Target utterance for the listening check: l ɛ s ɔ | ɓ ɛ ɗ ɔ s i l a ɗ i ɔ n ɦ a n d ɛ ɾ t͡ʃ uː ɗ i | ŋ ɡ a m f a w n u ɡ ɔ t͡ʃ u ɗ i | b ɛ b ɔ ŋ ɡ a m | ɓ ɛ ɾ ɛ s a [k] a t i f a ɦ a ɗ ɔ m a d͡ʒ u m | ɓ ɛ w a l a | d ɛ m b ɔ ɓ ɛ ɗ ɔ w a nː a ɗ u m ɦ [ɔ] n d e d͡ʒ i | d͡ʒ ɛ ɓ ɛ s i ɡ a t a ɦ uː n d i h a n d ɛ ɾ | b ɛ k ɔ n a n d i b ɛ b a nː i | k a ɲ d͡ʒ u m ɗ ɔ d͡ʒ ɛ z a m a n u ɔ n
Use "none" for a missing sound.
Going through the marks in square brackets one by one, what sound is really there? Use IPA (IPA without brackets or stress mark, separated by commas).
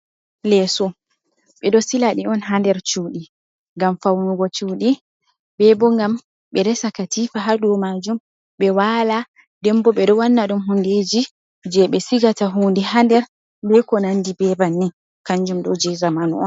k, u